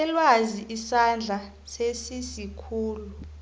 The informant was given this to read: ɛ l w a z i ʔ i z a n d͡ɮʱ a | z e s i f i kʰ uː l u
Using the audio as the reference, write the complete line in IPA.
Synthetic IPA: ɛ l w a z i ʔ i s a n d͡ɮʱ a | s e s i s i kʰ uː l u